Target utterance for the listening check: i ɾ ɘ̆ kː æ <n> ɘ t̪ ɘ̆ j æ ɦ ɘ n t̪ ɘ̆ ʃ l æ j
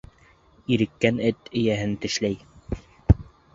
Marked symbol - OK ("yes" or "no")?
yes